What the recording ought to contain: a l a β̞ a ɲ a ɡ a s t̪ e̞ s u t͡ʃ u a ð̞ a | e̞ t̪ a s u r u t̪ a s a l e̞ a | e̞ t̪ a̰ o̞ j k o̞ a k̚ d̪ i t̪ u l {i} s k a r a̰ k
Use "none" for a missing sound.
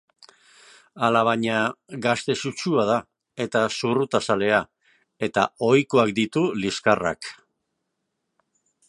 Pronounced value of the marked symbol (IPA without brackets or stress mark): i